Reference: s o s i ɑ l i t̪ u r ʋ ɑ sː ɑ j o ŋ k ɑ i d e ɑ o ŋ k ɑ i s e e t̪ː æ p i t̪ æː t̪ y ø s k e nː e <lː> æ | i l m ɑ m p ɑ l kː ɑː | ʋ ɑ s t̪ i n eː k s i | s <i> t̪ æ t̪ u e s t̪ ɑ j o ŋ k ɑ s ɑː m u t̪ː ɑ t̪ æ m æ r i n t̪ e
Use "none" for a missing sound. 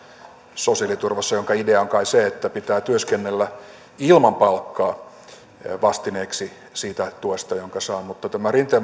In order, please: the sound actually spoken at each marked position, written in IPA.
lː, iː

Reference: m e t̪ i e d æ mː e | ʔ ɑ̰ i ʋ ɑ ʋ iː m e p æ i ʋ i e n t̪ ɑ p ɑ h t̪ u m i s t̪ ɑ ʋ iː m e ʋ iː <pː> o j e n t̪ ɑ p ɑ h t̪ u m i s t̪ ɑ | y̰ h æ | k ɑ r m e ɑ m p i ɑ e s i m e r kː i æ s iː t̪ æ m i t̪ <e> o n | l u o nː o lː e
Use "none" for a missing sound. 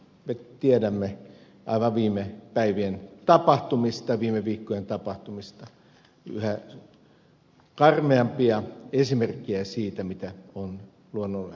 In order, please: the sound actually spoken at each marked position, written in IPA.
kː, æ

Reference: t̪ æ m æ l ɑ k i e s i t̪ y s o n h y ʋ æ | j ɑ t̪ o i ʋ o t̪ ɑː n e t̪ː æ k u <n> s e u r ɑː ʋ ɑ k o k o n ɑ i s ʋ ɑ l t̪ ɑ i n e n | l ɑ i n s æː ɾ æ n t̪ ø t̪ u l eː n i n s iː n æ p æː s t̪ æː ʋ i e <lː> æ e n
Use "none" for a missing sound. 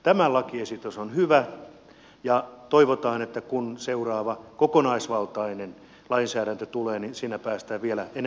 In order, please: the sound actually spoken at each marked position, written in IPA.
n, l

